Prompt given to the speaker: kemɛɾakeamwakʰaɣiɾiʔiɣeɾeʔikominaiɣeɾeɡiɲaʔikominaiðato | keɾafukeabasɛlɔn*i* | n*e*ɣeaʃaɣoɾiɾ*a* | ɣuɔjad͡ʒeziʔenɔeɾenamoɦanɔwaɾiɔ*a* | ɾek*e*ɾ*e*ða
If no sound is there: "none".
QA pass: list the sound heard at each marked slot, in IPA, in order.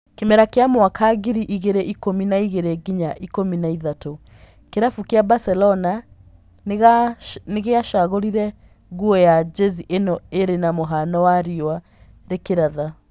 a, e, ɛ, a, e, a

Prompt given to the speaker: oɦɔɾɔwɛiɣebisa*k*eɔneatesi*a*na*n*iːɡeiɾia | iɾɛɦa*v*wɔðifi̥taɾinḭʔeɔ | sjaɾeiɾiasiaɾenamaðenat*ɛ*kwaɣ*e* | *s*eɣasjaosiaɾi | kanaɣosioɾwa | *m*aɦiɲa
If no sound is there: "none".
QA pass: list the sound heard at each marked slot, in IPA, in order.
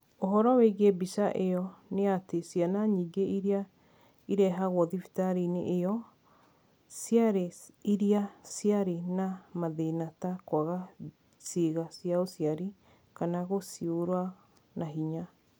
ʔ, a, ɲ, ɣ, a, a, s, n

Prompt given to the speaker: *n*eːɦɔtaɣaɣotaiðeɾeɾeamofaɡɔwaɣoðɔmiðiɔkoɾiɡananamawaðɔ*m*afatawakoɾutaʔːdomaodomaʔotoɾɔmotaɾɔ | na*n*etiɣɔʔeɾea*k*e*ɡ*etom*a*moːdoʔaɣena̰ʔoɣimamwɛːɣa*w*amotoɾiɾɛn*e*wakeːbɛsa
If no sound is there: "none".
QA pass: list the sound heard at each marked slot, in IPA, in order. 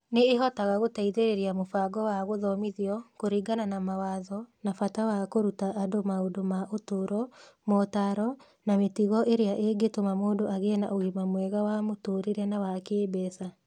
n, n, m, ʔ, ɡ, a, w, a

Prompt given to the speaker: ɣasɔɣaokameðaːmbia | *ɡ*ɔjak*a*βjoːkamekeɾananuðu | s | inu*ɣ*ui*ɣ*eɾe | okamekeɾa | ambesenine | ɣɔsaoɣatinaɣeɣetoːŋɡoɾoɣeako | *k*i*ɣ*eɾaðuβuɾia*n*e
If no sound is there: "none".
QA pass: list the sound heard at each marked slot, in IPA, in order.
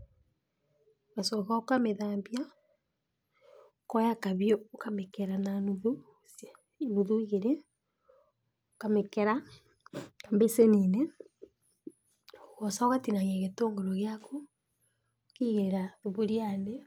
k, a, ð, ɣ, k, ɣ, n

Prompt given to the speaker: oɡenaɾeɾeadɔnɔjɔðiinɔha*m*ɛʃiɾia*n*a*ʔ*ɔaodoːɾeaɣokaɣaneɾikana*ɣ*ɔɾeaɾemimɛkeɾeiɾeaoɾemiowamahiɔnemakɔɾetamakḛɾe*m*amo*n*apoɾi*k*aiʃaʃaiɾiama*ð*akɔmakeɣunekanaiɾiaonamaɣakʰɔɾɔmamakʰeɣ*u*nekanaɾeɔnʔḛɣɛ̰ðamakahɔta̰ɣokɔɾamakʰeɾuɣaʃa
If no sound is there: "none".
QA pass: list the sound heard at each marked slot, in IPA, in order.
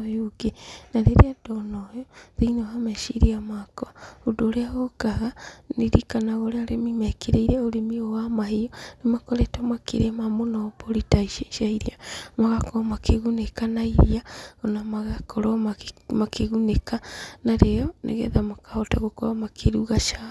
m, m, k, ɣ, m, n, t, ɣ, u

